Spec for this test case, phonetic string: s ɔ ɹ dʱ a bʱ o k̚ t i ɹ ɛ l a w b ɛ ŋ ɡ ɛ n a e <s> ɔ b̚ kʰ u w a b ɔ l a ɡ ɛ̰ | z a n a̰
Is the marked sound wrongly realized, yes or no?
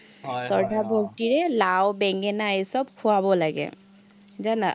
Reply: no